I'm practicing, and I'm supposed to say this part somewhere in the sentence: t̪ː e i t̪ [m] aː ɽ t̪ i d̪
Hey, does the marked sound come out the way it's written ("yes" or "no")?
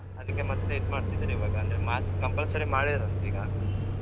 yes